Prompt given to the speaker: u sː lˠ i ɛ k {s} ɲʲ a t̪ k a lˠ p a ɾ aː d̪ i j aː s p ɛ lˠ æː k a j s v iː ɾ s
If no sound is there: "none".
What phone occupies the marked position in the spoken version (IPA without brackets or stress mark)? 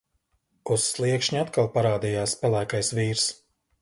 ʃ